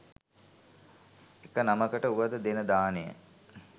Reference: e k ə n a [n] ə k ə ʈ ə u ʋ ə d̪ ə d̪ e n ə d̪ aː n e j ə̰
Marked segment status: incorrect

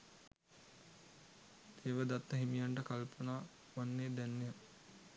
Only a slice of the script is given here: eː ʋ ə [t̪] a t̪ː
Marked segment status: incorrect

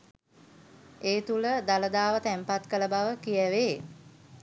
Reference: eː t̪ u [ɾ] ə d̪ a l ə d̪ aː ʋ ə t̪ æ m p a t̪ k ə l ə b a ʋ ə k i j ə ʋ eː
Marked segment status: incorrect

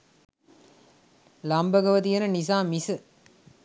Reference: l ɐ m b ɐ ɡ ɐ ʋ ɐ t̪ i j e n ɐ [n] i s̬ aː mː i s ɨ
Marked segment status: correct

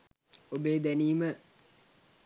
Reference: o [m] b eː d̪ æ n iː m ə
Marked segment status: incorrect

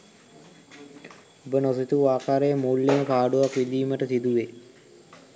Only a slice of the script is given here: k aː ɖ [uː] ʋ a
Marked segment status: incorrect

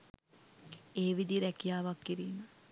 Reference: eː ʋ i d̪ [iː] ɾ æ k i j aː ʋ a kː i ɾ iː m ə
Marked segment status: incorrect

